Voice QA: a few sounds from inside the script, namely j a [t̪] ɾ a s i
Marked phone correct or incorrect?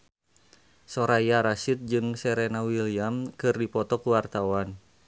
incorrect